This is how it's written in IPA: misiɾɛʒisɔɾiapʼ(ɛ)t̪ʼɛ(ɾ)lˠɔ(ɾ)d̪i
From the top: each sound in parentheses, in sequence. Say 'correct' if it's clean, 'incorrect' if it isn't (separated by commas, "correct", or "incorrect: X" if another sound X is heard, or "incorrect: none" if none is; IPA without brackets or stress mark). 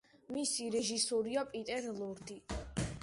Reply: incorrect: i, correct, correct